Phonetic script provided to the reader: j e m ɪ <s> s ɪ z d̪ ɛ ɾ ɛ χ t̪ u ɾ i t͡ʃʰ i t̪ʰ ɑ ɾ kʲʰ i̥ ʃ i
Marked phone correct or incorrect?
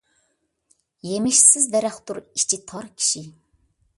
incorrect